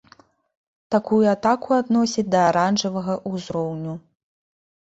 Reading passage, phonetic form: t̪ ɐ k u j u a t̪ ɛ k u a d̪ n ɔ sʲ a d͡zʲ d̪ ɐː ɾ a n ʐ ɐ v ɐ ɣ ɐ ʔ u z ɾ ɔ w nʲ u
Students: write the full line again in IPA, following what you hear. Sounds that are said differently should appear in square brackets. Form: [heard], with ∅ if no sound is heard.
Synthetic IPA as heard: t̪ [a] k u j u a t̪ [a] k u a d̪ n ɔ sʲ [i] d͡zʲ d̪ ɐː ɾ a n ʐ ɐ v ɐ ɣ ɐ ʔ u z ɾ ɔ w nʲ u